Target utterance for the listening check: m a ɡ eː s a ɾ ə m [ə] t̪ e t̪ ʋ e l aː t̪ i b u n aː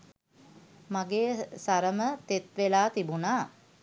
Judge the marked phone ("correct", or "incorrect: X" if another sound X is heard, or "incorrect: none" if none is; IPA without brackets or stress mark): correct